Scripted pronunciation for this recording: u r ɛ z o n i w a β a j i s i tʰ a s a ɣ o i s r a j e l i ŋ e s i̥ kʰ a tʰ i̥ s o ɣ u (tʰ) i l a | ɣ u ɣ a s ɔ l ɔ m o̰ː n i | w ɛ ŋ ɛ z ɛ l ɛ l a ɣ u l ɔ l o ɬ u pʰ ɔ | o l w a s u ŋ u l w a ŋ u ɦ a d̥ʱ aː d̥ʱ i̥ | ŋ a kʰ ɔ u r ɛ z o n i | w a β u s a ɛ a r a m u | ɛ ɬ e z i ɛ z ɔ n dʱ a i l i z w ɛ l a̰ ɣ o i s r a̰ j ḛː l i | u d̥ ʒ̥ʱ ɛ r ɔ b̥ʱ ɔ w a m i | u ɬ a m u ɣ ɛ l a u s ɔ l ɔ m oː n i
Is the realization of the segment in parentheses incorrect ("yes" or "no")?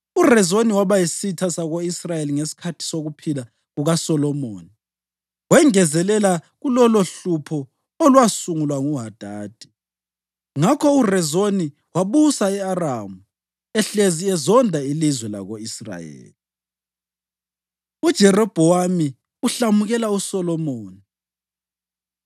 yes